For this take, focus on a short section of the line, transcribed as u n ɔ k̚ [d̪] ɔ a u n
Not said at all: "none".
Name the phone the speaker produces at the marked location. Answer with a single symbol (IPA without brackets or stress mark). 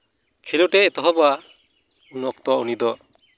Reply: t̪